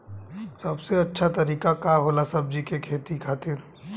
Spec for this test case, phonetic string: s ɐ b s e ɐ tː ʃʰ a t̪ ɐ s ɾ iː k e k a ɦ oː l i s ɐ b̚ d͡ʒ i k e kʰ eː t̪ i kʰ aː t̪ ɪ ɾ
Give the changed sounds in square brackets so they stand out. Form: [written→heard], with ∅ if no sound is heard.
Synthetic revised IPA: s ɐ b s e ɐ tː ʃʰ a t̪ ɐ [s→∅] ɾ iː k [e→a] k a ɦ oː l [i→a] s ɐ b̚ d͡ʒ i k e kʰ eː t̪ i kʰ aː t̪ ɪ ɾ